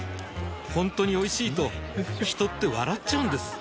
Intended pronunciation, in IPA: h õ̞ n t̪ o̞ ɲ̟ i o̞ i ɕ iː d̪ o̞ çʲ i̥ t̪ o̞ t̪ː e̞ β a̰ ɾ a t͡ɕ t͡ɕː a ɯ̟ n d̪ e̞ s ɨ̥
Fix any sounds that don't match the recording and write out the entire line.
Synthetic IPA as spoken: h õ̞ n t̪ o̞ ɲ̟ i o̞ i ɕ iː t̪ o̞ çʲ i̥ t̪ o̞ t̪ː e̞ β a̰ ɾ a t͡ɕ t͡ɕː a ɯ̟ n d̪ e̞ s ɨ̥